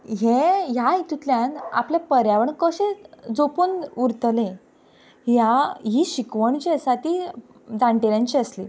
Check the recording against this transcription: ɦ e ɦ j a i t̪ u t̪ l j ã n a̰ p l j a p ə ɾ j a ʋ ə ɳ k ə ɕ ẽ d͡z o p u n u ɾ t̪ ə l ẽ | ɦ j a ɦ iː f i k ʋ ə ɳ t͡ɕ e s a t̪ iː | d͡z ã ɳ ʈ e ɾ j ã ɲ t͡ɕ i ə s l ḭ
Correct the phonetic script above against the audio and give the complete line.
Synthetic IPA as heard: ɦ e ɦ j a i t̪ u t̪ l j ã n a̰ p l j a p ə ɾ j a ʋ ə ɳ k ə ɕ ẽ d͡z o p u n u ɾ t̪ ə l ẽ | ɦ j a ɦ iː ɕ i k ʋ ə ɳ t͡ɕ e s a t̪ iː | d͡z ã ɳ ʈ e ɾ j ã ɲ t͡ɕ i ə s l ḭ